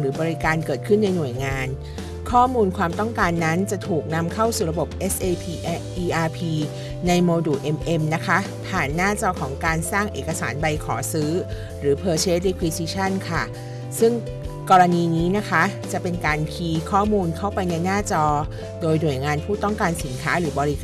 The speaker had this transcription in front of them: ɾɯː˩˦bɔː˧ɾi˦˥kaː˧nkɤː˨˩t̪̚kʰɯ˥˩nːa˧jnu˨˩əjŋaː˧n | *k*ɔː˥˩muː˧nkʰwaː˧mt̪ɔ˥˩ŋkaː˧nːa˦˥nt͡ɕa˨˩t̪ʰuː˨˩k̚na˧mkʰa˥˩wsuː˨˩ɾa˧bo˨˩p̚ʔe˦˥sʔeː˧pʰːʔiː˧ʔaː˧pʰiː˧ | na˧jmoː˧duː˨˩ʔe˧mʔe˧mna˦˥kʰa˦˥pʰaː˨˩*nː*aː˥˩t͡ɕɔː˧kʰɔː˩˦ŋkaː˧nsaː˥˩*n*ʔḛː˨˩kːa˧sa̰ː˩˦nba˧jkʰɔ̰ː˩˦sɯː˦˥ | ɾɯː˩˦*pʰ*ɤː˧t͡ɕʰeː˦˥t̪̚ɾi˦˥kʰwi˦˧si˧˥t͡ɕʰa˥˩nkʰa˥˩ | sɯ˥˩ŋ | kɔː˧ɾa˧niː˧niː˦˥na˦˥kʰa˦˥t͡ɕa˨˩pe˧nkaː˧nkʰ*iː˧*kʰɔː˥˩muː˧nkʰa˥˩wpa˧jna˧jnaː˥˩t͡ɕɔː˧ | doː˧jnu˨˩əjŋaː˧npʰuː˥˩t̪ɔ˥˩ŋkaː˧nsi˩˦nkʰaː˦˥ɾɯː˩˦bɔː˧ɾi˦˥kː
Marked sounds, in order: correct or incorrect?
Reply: incorrect, correct, incorrect, correct, correct

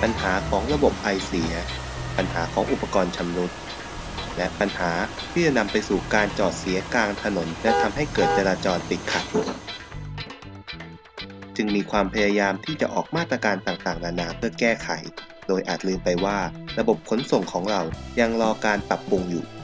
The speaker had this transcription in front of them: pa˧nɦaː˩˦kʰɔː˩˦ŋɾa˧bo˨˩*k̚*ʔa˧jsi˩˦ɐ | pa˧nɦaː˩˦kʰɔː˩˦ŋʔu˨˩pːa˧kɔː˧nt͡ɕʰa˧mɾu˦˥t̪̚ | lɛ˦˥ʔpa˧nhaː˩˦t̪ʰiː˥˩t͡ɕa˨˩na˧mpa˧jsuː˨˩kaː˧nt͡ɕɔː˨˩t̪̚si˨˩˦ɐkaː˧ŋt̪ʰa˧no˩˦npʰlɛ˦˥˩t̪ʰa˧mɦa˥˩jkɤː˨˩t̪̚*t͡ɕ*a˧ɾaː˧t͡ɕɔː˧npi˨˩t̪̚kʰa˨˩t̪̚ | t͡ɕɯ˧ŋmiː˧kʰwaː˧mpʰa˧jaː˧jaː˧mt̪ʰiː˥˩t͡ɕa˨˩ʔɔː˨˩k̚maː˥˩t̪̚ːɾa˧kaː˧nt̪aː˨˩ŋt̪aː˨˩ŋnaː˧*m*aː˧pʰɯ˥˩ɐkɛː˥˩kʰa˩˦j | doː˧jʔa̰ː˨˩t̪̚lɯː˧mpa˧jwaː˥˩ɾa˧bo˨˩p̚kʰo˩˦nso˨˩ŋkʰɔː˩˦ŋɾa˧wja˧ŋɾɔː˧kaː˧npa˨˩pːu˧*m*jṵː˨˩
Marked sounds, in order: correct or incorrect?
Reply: incorrect, correct, incorrect, incorrect

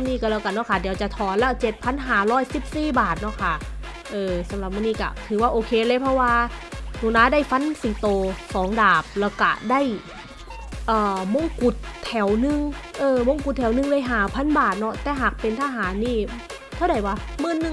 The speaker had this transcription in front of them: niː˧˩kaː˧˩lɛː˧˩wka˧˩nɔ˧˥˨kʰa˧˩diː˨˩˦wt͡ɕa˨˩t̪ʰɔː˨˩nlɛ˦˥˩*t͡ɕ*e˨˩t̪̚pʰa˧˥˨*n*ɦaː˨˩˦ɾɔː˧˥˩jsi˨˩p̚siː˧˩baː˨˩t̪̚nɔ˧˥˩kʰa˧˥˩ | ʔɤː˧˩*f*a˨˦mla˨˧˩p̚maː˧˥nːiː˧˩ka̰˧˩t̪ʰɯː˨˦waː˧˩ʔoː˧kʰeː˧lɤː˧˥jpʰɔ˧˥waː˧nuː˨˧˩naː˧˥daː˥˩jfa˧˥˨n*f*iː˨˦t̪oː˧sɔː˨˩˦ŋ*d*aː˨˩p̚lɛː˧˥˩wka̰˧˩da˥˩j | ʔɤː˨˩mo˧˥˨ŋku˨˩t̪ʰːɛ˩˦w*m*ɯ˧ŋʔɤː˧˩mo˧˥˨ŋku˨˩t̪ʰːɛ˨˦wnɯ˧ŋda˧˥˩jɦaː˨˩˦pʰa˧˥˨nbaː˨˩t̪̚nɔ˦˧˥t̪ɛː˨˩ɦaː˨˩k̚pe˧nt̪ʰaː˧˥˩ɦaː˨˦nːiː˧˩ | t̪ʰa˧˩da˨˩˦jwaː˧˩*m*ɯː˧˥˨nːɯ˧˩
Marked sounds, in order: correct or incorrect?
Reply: correct, correct, incorrect, incorrect, correct, incorrect, correct

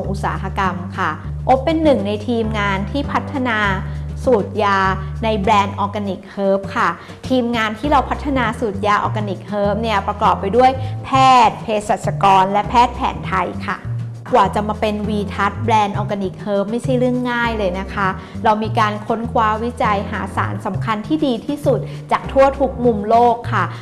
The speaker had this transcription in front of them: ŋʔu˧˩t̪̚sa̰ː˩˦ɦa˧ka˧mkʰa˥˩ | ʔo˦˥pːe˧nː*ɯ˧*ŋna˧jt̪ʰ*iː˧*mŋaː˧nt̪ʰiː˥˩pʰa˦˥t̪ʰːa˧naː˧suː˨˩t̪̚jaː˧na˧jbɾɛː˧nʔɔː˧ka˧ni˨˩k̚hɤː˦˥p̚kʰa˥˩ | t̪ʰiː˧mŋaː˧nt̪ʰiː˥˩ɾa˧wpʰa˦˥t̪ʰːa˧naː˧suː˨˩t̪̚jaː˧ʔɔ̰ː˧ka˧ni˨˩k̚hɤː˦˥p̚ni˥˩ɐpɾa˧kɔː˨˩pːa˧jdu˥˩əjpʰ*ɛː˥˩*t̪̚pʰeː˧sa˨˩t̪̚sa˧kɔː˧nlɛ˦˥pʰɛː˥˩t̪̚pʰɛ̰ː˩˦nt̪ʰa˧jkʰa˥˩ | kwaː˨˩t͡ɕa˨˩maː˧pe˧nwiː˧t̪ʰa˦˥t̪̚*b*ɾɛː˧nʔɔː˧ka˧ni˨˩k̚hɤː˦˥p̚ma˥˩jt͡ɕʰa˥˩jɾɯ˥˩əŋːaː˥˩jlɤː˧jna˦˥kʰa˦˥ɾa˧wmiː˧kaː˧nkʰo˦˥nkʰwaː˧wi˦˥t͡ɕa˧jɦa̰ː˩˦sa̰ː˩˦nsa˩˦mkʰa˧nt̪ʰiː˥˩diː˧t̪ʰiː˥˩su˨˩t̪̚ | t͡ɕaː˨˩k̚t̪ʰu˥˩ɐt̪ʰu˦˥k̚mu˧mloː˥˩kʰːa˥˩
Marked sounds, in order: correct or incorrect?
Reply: incorrect, correct, correct, correct

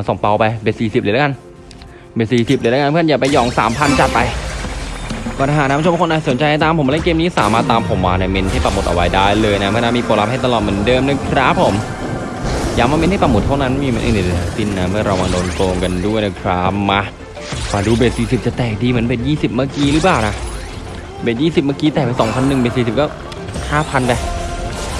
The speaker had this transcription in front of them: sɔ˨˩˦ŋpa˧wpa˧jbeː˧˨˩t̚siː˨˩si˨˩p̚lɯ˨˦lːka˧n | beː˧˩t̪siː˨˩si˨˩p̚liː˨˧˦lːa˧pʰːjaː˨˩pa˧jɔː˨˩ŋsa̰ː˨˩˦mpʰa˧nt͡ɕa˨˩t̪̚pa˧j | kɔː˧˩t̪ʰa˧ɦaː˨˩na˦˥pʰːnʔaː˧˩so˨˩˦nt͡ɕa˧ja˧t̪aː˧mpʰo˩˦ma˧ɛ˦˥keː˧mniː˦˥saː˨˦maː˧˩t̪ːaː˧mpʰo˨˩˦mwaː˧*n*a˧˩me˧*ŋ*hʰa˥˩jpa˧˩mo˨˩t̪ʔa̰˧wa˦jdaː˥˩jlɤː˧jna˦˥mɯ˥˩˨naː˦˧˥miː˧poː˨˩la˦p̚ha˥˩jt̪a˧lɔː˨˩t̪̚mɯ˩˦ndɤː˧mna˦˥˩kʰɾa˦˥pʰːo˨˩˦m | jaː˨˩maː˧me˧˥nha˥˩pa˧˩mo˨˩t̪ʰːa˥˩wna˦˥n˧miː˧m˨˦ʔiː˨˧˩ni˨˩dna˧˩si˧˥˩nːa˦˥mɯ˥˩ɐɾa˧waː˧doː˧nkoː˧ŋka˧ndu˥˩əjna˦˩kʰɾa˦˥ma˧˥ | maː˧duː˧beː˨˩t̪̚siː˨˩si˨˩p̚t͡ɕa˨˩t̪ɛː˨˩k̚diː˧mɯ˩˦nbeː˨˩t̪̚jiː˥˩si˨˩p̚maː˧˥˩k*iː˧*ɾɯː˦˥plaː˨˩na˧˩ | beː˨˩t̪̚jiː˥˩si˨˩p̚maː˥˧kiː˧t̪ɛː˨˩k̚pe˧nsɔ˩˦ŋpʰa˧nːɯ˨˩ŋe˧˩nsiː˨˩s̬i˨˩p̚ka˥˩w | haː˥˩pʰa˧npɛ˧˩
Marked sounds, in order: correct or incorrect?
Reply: correct, incorrect, correct

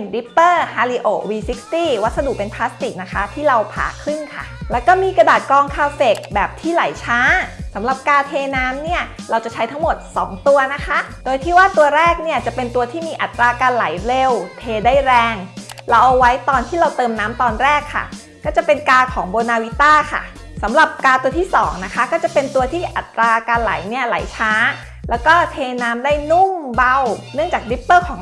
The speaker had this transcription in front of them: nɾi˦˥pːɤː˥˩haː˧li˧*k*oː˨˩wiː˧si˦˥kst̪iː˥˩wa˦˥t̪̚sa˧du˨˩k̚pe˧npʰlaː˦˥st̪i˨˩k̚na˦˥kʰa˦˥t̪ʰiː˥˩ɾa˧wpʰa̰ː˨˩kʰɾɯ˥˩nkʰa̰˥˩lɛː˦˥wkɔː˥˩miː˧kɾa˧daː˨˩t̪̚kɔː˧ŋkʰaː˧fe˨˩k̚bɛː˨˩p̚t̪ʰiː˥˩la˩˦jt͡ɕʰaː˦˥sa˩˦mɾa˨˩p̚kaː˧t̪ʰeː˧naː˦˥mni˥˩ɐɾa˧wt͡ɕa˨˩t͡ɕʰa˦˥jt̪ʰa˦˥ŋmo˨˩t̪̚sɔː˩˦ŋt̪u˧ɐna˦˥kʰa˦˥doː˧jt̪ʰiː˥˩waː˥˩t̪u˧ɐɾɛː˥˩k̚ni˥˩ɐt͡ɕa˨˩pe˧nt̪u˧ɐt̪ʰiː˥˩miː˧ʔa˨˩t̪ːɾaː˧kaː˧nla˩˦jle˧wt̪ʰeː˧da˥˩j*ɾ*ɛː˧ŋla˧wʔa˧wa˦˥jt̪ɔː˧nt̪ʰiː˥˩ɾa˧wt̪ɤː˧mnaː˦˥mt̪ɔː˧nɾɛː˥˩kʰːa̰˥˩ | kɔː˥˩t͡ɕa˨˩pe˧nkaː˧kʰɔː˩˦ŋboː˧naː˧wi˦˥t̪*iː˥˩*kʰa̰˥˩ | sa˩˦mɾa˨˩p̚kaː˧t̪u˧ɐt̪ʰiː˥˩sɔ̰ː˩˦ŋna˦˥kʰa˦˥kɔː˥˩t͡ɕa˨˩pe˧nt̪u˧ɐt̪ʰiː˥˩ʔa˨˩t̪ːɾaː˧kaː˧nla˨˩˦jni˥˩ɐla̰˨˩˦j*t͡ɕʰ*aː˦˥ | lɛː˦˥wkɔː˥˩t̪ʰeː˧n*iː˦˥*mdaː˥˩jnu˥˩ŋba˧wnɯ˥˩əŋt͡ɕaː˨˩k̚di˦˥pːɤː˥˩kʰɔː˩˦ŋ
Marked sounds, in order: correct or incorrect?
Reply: incorrect, correct, incorrect, correct, incorrect

